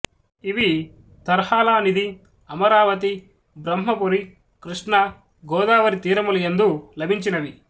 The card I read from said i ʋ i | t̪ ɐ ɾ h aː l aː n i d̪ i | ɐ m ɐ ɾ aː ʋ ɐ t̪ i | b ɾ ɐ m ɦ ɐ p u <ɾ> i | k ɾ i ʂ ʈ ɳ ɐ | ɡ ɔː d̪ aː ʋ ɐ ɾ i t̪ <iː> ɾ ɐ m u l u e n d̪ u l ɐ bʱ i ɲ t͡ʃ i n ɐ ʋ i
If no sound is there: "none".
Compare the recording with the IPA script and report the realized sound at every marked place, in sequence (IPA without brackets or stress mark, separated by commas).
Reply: ɾ, iː